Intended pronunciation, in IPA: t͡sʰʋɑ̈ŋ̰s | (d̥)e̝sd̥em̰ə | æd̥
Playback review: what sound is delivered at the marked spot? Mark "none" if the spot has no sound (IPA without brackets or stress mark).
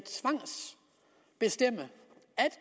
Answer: b̥